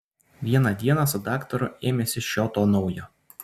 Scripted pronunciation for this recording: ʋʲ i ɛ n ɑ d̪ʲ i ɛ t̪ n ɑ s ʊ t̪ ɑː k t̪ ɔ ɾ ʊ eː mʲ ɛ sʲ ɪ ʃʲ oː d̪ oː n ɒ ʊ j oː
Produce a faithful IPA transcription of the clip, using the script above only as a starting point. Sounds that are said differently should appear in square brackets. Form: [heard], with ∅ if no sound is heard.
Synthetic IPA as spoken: ʋʲ i ɛ n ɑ d̪ʲ i ɛ [∅] n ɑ s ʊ [d̪] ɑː k t̪ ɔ ɾ ʊ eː mʲ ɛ sʲ ɪ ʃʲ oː [t̪] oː n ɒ ʊ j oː